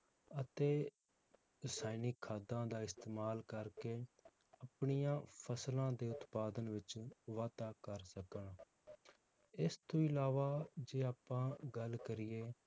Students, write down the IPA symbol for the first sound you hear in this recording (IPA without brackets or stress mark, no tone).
ə